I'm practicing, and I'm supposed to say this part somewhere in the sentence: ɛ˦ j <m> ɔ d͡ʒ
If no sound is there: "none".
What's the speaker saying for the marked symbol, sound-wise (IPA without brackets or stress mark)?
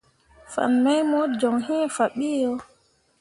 m